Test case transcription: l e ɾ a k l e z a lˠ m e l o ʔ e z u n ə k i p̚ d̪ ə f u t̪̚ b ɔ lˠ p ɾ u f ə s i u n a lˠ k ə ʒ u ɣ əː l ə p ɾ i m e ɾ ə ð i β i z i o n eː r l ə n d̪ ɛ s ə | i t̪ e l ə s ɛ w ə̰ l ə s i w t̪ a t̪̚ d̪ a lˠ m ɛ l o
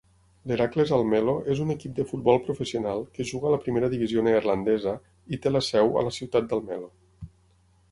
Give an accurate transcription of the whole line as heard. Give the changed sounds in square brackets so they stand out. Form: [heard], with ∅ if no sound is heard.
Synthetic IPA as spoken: l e ɾ a k l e z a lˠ m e l o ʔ e z u n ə k i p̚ d̪ ə f u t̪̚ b ɔ lˠ p ɾ u f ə s i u n a lˠ k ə ʒ u ɣ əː l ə p ɾ i m e ɾ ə ð i β i z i o n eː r l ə n d̪ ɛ [z] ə | i t̪ e l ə s ɛ w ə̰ l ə s i w t̪ a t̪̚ d̪ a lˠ m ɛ l o

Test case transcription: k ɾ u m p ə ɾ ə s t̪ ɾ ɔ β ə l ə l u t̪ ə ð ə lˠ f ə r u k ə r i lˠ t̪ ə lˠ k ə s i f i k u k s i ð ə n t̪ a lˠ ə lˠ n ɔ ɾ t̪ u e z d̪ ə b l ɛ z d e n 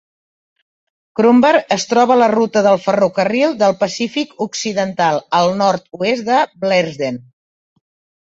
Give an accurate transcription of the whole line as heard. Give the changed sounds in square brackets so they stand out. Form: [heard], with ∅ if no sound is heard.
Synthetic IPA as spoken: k ɾ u m [b] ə ɾ ə s t̪ ɾ ɔ β ə l ə [r] u t̪ ə ð ə lˠ f ə r u k ə r i lˠ [d̪] ə lˠ [p] ə s i f i k u k s i ð ə n t̪ a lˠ ə lˠ n ɔ ɾ t̪ u e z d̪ ə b l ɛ z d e n

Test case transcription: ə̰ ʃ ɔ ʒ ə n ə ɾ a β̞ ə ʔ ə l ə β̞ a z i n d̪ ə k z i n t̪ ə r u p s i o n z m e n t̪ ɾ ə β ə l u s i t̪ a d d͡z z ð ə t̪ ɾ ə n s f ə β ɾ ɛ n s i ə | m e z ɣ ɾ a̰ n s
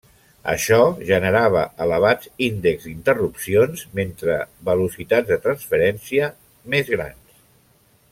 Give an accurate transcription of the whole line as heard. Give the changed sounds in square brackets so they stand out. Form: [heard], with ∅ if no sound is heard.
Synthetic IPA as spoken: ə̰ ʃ ɔ ʒ ə n ə ɾ a β̞ ə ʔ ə l ə β̞ a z i n d̪ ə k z i n t̪ ə r u p s i o n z m e n t̪ ɾ ə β ə l u s i t̪ a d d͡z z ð ə t̪ ɾ ə n s f ə [∅] ɾ ɛ n s i ə | m e z ɣ ɾ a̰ n s

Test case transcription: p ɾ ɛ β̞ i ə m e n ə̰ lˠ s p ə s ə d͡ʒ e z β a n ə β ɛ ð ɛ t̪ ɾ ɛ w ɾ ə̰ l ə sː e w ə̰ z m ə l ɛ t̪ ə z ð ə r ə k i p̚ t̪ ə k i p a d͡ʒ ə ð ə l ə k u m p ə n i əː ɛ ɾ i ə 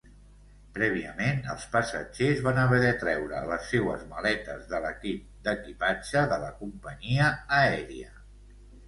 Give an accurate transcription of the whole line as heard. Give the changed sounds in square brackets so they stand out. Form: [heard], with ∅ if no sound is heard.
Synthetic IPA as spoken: p ɾ ɛ β̞ i ə m e n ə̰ lˠ s p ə s ə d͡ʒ e z β a n ə β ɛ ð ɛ t̪ ɾ ɛ w ɾ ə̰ l ə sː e w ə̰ z m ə l ɛ t̪ ə z ð ə [l] ə k i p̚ [d̪] ə k i p a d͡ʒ ə ð ə l ə k u m p ə [ɲ] i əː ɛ ɾ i ə

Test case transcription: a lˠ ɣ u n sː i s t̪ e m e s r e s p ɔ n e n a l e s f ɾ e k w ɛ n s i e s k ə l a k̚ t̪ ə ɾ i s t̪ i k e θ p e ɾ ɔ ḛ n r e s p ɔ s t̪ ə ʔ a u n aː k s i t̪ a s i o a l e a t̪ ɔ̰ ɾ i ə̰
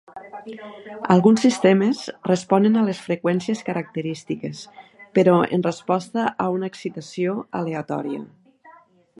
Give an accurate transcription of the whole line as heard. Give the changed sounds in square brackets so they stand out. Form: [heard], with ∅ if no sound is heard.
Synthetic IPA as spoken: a lˠ ɣ u n sː i s t̪ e m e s r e s p ɔ n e n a l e s f ɾ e k w ɛ n s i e s k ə [ɾ] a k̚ t̪ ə ɾ i s t̪ i k e [s] p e ɾ ɔ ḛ n r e s p ɔ s t̪ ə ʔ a u n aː k s i t̪ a s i o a l e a t̪ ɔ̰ ɾ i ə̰

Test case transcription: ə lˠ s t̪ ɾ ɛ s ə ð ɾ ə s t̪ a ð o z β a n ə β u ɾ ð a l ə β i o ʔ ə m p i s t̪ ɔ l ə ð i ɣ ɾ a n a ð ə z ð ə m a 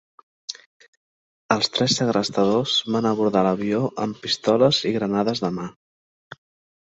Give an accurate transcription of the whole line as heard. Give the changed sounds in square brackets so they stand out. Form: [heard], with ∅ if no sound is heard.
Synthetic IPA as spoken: ə lˠ s t̪ ɾ ɛ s ə [ɣ] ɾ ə s t̪ [ə] ð o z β a n ə β u ɾ ð a l ə β i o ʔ ə m p i s t̪ ɔ l ə [z] i ɣ ɾ [ə] n a ð ə z ð ə m a

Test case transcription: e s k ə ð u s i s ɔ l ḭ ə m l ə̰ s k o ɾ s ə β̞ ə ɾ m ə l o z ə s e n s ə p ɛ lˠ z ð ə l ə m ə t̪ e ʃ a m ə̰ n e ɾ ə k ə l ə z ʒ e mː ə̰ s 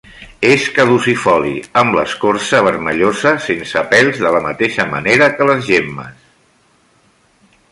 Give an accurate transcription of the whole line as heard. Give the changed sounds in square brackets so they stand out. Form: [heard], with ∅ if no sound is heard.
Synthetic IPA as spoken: e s k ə ð u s i [f] ɔ l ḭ ə m l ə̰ s k o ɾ s ə β̞ ə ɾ m ə [ʎ] o z ə s e n s ə p ɛ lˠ z ð ə l ə m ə t̪ e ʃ [ə] m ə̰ n e ɾ ə k ə l ə z ʒ e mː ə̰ s

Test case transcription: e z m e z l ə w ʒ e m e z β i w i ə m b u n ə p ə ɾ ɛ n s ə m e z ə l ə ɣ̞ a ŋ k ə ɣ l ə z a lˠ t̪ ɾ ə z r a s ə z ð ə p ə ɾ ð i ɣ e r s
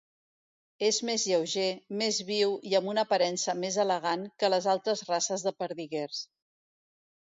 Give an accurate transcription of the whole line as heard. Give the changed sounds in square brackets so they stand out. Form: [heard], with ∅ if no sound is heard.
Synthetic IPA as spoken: e z m e z [ʎ] ə w ʒ e m e z β i w i ə m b u n ə p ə ɾ ɛ n s ə m e z ə l ə ɣ̞ a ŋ k ə [∅] l ə z a lˠ t̪ ɾ ə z r a s ə z ð ə p ə ɾ ð i ɣ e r s

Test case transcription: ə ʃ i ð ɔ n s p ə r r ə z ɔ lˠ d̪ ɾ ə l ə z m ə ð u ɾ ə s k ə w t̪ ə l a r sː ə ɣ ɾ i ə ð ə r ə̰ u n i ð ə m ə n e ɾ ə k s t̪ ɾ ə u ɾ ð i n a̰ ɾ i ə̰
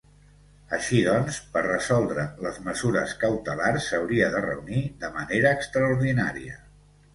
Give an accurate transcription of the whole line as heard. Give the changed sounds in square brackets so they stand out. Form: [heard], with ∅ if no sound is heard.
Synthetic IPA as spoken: ə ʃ i ð ɔ n s p ə r r ə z ɔ lˠ d̪ ɾ ə l ə z m ə [z] u ɾ ə s k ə w t̪ ə l a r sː ə [w] ɾ i ə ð ə r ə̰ u n i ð ə m ə n e ɾ [əː] k s t̪ ɾ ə u ɾ ð i n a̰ ɾ i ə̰

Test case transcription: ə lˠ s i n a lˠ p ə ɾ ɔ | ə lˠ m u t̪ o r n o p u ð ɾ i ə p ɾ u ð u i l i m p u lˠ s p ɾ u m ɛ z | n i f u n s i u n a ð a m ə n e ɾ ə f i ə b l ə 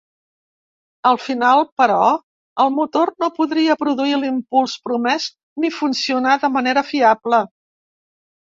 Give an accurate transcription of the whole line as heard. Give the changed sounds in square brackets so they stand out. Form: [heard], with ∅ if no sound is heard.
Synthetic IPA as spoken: ə lˠ [f] i n a lˠ p ə ɾ ɔ | ə lˠ m u t̪ o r n o p u ð ɾ i ə p ɾ u ð u i l i m p u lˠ s p ɾ u m ɛ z | n i f u n s i u n a ð [ə] m ə n e ɾ ə f i [a] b l ə

